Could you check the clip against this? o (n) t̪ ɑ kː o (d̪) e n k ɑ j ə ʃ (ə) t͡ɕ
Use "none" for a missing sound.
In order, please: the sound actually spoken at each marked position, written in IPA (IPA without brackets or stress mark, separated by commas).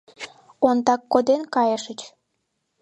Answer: n, d̪, ə